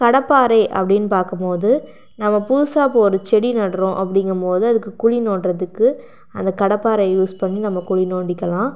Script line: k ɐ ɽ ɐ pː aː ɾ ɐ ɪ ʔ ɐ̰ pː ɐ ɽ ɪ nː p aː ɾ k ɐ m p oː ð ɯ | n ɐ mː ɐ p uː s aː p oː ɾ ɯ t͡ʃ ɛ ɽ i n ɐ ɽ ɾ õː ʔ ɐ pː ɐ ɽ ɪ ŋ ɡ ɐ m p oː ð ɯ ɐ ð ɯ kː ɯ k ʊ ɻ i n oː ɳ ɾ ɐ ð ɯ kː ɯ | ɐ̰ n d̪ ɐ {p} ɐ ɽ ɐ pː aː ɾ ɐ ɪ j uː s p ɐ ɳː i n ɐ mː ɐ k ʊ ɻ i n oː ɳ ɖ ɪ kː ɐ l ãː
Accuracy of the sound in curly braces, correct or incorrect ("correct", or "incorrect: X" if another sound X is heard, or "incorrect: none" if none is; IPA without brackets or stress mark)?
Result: incorrect: k